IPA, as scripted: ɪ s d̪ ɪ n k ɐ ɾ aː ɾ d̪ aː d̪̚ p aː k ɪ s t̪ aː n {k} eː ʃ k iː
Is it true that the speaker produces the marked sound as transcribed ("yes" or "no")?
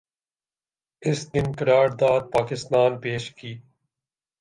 no